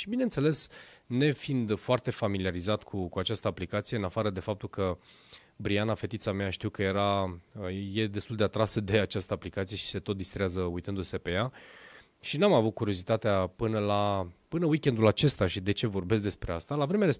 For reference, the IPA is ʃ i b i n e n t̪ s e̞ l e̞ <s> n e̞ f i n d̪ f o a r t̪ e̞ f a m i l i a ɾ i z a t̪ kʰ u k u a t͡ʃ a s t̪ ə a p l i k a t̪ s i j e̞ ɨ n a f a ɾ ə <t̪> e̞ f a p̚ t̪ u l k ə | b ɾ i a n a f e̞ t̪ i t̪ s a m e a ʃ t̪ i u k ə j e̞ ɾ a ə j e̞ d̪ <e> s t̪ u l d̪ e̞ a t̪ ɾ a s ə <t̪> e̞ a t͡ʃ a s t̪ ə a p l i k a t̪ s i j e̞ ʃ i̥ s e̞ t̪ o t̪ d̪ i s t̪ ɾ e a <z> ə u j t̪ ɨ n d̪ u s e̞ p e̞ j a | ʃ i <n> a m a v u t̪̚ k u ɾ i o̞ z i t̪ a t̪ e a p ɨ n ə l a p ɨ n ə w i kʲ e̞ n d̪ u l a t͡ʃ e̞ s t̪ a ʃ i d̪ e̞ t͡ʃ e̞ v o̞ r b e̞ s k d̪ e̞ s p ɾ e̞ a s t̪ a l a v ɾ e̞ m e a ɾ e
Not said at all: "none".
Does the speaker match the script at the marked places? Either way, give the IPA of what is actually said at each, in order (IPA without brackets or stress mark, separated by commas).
s, d̪, e, d̪, z, n